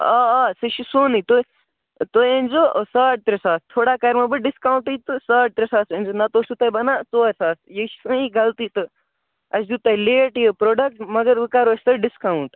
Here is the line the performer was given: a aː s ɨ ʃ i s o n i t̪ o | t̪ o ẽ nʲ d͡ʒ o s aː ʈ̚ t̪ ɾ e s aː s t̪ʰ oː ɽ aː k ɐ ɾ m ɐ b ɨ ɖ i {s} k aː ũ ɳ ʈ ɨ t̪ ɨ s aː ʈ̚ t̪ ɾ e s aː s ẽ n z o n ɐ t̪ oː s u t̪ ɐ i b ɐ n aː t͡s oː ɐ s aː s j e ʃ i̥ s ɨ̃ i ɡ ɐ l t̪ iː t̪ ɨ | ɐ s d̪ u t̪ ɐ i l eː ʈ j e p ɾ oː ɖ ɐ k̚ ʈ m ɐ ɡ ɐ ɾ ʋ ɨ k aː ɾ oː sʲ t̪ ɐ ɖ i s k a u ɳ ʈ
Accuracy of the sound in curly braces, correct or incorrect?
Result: correct